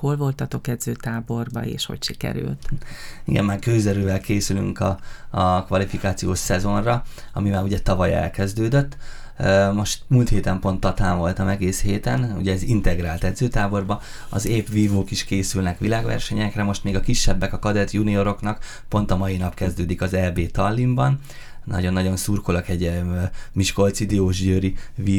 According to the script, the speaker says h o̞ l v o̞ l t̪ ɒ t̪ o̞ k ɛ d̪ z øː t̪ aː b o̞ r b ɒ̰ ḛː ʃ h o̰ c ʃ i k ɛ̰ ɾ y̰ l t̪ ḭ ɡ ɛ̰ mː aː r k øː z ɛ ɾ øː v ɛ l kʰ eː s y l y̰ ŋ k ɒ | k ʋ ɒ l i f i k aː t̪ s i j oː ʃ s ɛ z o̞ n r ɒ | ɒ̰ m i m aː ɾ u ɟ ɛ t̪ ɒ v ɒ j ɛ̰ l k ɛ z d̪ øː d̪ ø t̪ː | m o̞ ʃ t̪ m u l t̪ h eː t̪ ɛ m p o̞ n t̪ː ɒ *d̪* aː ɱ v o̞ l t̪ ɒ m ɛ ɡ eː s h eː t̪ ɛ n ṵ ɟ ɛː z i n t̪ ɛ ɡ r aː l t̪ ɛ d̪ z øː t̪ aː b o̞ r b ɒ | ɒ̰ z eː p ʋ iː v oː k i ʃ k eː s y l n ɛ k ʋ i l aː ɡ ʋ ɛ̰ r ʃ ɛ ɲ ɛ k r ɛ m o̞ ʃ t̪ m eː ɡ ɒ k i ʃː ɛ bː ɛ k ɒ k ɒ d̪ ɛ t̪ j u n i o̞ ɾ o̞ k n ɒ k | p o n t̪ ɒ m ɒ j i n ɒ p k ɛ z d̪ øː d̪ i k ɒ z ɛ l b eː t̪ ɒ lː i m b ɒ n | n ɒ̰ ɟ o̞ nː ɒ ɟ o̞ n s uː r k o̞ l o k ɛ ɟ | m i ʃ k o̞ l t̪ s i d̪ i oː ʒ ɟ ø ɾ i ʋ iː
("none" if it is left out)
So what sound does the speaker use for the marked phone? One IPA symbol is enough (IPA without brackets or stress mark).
t̪